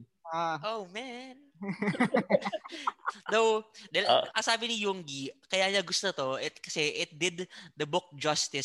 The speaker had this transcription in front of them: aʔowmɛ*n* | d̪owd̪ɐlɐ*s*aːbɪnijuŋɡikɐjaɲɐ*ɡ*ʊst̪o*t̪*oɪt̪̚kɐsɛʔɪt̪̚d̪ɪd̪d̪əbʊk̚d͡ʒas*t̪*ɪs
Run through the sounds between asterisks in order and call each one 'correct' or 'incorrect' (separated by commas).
correct, correct, correct, correct, correct